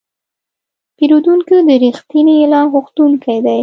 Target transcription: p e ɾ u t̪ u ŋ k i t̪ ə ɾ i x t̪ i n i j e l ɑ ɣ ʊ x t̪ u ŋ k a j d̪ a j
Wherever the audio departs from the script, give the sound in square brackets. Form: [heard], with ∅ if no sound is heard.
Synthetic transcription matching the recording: p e ɾ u [d̪] u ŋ k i [d̪] ə ɾ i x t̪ i n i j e l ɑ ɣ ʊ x t̪ u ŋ k a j d̪ a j